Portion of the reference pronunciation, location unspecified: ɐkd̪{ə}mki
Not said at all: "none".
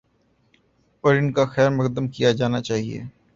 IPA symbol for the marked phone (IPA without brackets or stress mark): ə